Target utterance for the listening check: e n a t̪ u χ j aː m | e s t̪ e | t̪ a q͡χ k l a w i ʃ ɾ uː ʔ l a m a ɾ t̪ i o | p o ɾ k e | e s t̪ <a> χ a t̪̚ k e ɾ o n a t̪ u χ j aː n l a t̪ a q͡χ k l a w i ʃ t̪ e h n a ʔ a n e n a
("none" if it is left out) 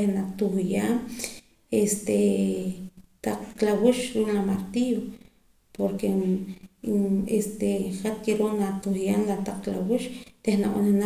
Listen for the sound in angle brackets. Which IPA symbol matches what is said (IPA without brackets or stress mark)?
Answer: e